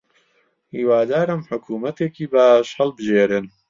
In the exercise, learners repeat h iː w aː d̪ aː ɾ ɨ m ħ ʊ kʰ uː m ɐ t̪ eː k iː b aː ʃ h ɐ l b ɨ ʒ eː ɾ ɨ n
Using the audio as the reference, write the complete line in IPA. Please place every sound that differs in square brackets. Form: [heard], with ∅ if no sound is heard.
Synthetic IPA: h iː w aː d̪ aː ɾ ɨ m ħ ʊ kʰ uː m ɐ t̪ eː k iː b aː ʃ h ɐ l b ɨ ʒ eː ɾ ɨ n